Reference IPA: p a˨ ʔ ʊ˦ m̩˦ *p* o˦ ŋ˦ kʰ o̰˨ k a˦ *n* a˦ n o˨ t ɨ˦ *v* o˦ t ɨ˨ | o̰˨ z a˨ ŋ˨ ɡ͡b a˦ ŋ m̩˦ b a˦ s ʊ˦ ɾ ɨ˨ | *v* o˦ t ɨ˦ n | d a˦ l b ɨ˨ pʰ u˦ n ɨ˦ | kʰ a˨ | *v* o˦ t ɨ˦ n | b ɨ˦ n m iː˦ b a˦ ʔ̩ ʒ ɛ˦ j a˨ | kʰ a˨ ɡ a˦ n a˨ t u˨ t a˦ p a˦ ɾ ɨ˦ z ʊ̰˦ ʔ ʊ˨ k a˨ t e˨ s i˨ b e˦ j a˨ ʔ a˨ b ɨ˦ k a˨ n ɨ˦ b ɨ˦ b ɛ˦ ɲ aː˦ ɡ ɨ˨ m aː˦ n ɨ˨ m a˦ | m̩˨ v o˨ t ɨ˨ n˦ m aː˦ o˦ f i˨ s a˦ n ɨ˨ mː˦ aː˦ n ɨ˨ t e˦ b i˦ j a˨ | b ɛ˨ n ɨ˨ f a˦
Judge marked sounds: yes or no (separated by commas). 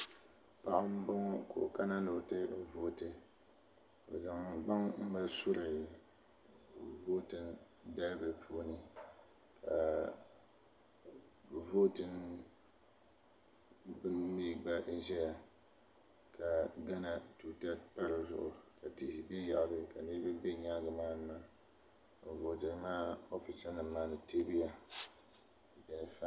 no, yes, yes, yes, yes